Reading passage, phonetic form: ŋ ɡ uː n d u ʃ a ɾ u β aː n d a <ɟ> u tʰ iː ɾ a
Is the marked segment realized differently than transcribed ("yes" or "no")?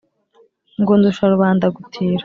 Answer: yes